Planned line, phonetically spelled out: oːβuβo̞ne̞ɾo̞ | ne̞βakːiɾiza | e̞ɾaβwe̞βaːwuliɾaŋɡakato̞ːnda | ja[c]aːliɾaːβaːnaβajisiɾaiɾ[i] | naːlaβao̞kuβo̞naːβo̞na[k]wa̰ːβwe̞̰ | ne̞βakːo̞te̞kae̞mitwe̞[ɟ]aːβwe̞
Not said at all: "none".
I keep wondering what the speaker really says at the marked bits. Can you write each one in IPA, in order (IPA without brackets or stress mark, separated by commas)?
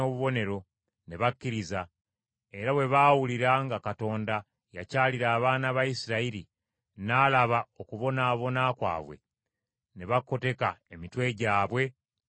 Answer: c, i, k, ɟ